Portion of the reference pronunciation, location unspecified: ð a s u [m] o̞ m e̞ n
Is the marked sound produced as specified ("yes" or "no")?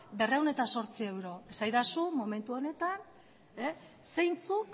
yes